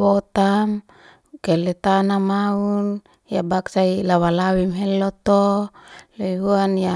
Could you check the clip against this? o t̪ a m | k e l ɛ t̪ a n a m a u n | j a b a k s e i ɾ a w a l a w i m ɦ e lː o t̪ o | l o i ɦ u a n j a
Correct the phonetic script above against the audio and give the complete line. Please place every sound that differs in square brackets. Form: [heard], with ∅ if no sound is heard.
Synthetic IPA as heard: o t̪ a m | k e l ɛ t̪ a n a m a u n | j a b a k s [a] i [l] a w a l a w i m ɦ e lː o t̪ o | l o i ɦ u a n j a